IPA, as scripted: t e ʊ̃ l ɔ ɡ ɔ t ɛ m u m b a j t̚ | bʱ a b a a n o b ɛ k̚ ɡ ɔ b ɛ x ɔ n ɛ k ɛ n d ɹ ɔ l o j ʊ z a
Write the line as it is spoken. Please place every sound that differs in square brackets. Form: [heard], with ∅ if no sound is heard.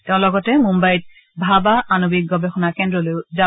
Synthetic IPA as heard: t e ʊ̃ l ɔ ɡ ɔ t ɛ m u m b a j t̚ | bʱ a b a a n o b [i] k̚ ɡ ɔ b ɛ x ɔ n [a] k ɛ n d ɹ ɔ l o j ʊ z a